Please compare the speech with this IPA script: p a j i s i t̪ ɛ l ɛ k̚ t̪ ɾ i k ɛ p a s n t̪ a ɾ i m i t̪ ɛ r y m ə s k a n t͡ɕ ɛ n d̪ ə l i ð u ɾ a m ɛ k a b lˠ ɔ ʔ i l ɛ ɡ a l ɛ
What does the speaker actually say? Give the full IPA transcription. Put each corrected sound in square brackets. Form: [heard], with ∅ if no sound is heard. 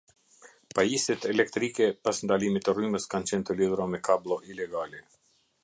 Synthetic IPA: p a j i s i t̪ ɛ l ɛ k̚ t̪ ɾ i k ɛ p a s n [d̪] a [l] i m i t̪ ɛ r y m ə s k a n t͡ɕ ɛ n [t̪] ə l i ð u ɾ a m ɛ k a b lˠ ɔ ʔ i l ɛ ɡ a l ɛ